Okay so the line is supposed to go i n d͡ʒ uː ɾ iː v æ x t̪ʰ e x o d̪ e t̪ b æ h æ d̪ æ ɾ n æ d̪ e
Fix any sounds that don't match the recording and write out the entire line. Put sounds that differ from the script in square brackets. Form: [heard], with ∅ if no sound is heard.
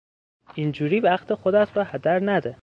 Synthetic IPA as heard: i n d͡ʒ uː ɾ iː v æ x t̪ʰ e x o d̪ [æ] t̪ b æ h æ d̪ æ ɾ n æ d̪ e